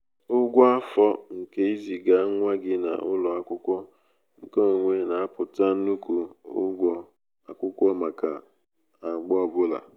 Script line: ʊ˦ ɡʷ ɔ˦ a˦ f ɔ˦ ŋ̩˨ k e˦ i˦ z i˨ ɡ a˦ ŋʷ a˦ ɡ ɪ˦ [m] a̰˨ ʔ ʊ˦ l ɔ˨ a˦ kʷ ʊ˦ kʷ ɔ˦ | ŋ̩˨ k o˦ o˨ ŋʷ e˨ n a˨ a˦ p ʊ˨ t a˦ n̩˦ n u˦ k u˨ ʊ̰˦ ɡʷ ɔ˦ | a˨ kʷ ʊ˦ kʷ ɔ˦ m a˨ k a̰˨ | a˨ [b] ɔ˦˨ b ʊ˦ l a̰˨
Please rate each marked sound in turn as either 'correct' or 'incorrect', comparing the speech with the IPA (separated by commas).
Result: incorrect, incorrect